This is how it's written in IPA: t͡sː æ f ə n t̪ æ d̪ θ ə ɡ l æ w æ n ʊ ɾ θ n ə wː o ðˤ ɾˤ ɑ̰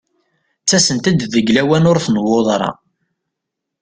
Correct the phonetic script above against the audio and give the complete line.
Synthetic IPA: t͡sː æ s ə n t̪ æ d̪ ð ə ɡ l æ w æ n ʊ ɾ θ n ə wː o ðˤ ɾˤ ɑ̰

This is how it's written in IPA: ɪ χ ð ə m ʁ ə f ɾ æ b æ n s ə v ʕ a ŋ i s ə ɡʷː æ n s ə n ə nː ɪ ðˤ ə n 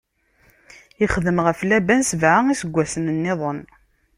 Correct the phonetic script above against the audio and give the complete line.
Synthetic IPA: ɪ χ ð ə m ʁ ə f l æ b æ n s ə v ʕ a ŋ i s ə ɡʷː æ s ə n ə nː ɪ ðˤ ə n

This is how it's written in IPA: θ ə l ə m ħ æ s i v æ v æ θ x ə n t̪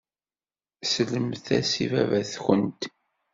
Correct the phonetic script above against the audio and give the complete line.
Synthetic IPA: s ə l ə m θ æ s i v æ v æ θ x ə n t̪

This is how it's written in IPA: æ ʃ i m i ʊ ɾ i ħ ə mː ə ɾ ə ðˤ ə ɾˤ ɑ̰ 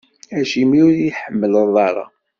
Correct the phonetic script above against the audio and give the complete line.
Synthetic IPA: æ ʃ i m i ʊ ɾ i ħ ə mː ə l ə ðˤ ɑ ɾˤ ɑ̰

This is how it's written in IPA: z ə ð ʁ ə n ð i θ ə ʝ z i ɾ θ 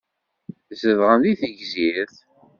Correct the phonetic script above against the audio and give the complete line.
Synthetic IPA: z ə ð ʁ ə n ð i θ ə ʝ z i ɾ θ

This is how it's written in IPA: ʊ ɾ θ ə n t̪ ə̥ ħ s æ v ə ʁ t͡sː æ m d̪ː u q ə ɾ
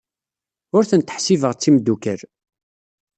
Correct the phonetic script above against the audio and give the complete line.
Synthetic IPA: ʊ ɾ θ ə n t̪ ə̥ ħ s i v ə ʁ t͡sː i m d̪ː u k ə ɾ

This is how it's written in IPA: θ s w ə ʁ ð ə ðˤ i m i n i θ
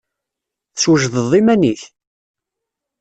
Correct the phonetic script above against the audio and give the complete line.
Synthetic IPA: θ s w ə ʒ ð ə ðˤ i m æ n i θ

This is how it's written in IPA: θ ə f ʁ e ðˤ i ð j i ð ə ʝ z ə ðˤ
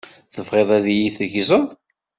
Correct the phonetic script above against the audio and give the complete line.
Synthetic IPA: θ ə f ʁ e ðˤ æ ð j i θ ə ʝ z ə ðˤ

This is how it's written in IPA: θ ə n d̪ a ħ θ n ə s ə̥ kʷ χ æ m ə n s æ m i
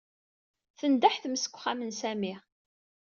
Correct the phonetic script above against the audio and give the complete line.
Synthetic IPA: θ ə n d̪ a ħ θ m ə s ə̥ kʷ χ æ m ə n s æ m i

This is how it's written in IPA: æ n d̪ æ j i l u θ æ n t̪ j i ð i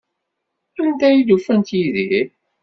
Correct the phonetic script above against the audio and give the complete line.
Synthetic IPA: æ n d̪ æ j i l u f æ n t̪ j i ð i

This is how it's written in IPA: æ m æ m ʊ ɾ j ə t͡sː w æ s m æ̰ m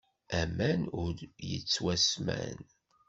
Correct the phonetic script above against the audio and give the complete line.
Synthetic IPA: æ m æ n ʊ ɾ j ə t͡sː w æ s m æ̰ n

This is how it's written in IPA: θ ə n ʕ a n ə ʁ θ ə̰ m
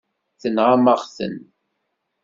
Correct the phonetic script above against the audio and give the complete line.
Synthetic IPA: θ ə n ʁ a m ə ʁ θ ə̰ n

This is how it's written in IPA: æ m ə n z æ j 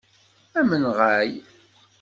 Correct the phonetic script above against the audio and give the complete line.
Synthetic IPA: æ m ə n ʁ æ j

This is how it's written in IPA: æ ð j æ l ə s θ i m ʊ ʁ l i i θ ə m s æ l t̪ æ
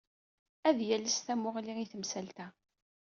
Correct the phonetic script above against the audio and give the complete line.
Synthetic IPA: æ ð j æ l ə s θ æ m ʊ ʁ l i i θ ə m s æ l t̪ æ

